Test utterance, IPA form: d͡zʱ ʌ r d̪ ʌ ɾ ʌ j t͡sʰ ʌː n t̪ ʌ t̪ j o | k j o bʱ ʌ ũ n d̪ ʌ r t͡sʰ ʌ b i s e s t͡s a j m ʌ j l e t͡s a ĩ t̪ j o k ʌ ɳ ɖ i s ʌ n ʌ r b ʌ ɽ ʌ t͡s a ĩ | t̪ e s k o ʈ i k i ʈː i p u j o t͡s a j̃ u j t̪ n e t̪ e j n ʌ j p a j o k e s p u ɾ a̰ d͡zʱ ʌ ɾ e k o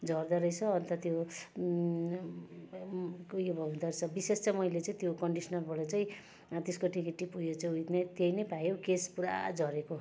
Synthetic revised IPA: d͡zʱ ʌ r d̪ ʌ ɾ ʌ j t͡sʰ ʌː n t̪ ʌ t̪ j o | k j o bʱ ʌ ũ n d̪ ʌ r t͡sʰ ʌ b i s e s t͡s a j m ʌ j l e t͡s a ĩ t̪ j o k ʌ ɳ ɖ i s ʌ n ʌ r b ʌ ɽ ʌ t͡s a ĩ | t̪ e s k o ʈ i k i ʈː i p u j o t͡s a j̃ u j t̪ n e t̪ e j n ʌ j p a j o k e s p u ɾ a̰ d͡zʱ ʌ ɾ e k o